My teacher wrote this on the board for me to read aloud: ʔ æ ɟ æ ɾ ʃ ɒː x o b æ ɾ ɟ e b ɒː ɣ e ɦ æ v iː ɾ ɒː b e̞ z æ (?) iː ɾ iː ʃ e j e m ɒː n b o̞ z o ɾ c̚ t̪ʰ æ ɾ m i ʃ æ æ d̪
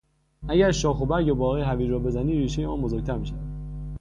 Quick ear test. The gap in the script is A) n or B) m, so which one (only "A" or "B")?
A